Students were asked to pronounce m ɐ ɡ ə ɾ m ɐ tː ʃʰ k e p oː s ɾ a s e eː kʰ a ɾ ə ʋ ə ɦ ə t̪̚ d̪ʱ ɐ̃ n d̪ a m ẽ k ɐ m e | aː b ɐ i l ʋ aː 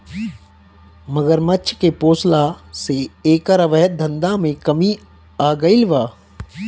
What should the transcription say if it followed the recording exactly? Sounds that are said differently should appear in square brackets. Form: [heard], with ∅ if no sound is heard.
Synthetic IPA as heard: m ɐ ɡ ə ɾ m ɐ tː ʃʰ k e p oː s [l] a s e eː [k] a ɾ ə ʋ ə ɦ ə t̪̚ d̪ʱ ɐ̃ n d̪ a m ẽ k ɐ m [i] | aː [ɡ] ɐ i l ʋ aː